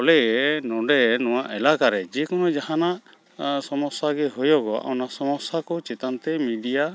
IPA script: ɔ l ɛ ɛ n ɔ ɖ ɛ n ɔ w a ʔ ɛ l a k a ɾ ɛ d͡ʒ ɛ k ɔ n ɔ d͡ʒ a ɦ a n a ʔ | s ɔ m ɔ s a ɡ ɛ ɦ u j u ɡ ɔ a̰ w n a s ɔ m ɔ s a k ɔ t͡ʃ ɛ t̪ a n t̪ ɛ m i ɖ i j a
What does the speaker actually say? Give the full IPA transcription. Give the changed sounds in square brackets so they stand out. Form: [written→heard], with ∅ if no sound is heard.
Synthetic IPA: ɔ l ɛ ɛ n ɔ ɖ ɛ n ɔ w a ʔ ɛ l a k a ɾ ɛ d͡ʒ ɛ k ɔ n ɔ d͡ʒ a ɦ a n a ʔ | s ɔ m ɔ s a ɡ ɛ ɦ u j [u→ɔ] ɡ ɔ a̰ w n a s ɔ m ɔ s a k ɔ t͡ʃ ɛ t̪ a n t̪ ɛ m i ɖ i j a

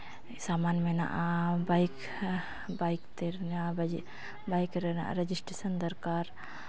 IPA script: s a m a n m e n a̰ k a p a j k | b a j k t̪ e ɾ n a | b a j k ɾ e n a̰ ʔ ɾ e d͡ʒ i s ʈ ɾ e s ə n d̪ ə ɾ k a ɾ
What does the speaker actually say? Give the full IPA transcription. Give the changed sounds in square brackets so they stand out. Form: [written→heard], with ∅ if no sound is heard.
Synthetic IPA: s a m a n m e n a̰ [k→ʔ] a [p→b] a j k | b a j k t̪ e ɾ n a | b a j k ɾ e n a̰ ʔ ɾ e d͡ʒ i s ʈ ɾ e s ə n d̪ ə ɾ k a ɾ

